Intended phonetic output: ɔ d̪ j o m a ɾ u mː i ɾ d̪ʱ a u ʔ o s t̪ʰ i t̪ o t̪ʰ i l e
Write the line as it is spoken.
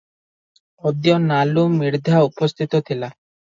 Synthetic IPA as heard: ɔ d̪ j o n a l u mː i ɾ d̪ʱ a u p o s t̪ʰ i t̪ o t̪ʰ i l a

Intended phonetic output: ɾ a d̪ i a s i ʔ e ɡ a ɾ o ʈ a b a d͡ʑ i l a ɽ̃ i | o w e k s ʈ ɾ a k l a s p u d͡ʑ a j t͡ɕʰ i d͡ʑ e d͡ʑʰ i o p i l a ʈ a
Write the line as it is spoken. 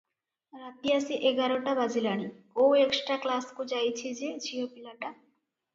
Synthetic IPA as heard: ɾ a t̪ i a s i ʔ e ɡ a ɾ o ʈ a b a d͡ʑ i l a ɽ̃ i | o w e k s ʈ ɾ a k l a s k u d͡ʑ a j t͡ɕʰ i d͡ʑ e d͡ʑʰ i o p i l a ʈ a

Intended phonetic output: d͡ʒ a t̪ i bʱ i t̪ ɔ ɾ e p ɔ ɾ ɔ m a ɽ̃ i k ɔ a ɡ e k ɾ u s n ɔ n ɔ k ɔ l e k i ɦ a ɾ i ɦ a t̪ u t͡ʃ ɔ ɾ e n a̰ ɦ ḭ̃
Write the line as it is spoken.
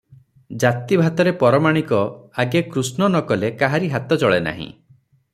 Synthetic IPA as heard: d͡ʒ a t̪ i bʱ a t̪ ɔ ɾ e p ɔ ɾ ɔ m a ɽ̃ i k ɔ a ɡ e k ɾ u s n ɔ n ɔ k ɔ l e k a ɦ a ɾ i ɦ a t̪ ɔ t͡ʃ ɔ ɭ e n a̰ ɦ ḭ̃

